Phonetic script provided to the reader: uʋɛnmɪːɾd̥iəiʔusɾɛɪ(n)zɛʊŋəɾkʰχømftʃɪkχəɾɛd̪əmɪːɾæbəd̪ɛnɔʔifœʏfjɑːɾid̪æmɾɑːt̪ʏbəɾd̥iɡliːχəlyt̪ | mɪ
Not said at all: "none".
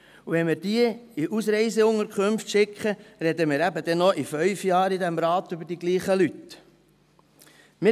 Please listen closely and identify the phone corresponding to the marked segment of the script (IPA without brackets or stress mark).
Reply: none